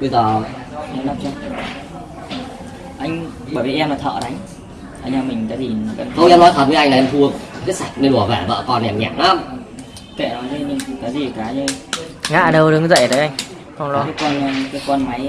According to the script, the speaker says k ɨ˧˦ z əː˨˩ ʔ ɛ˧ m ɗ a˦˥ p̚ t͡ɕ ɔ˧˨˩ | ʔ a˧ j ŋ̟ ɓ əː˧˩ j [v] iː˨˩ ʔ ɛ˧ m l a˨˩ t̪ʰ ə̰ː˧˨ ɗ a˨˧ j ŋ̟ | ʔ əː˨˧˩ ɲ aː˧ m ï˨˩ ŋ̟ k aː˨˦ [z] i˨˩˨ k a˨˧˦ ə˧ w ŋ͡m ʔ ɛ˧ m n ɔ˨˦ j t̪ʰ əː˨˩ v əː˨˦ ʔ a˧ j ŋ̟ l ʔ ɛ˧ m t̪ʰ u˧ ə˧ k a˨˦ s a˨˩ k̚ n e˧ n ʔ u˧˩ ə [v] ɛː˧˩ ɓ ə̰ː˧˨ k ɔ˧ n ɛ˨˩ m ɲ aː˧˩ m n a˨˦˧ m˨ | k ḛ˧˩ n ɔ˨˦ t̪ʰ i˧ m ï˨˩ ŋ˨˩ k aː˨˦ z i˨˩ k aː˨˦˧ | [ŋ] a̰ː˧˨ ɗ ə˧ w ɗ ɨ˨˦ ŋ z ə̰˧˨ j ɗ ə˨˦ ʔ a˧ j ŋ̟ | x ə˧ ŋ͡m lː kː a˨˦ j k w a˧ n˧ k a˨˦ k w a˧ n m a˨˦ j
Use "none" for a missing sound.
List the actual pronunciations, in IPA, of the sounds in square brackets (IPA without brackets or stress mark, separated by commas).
v, z, v, ŋ